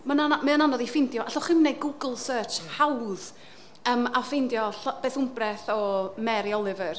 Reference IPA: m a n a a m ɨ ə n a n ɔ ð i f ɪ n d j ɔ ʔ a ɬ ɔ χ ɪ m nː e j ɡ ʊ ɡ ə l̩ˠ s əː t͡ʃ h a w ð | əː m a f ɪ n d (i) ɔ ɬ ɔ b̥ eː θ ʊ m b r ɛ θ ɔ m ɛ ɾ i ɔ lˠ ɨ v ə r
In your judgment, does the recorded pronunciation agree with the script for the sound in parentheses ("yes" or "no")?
no